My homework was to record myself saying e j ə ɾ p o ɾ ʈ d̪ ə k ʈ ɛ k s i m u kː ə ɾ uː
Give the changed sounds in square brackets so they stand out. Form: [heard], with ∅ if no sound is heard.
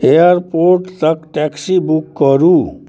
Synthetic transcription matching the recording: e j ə ɾ p o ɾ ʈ [t̪] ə k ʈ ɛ k s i [b] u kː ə ɾ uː